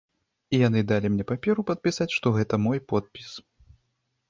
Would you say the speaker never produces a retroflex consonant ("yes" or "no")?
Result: no